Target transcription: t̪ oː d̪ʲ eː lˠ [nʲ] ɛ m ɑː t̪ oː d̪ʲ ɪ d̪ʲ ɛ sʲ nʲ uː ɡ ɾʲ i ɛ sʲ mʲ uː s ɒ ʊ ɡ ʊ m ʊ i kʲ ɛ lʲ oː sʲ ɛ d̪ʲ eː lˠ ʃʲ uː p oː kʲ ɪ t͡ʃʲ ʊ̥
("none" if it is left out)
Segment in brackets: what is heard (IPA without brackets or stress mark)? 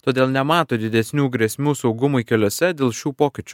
nʲ